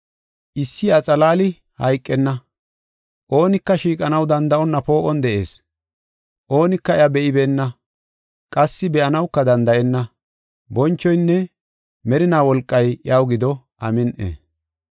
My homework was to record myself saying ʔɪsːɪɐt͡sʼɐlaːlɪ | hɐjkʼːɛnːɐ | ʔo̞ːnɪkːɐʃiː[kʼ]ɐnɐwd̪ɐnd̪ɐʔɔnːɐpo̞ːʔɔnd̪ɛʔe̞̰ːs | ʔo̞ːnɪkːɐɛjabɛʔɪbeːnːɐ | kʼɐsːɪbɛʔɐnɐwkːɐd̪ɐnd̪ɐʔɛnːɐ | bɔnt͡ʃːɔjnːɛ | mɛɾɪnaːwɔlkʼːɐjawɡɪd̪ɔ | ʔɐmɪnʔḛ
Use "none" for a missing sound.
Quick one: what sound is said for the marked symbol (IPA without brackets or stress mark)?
kʼ